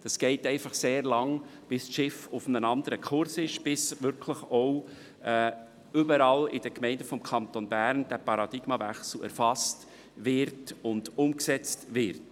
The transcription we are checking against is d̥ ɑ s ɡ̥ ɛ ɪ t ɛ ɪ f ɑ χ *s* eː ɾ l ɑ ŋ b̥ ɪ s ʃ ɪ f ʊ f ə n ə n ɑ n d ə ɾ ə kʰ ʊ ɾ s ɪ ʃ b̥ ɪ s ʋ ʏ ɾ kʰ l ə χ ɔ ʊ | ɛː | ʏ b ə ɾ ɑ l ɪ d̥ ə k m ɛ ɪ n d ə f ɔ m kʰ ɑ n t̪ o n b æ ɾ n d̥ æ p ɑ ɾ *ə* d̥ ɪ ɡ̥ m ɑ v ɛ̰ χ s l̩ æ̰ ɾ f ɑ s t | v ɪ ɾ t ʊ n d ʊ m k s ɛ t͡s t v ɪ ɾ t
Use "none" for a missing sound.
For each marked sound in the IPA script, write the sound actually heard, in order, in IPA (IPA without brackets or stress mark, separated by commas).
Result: s, ɑ